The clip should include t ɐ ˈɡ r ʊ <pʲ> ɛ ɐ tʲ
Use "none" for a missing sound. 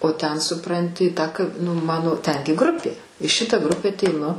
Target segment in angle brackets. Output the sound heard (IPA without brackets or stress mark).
pʲ